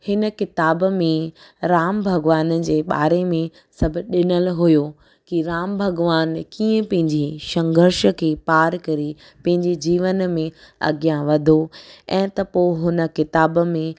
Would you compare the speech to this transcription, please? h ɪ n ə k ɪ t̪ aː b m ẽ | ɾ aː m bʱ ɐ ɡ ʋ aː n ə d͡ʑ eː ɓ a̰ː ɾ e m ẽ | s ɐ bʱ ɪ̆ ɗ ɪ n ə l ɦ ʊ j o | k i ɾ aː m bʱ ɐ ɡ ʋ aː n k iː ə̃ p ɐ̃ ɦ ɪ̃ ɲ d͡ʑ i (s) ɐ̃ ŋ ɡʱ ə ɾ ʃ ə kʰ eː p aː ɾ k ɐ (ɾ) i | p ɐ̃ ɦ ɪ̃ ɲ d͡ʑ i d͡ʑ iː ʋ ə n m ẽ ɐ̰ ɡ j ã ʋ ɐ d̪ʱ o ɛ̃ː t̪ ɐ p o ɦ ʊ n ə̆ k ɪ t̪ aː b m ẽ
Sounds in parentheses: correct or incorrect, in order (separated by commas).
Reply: incorrect, correct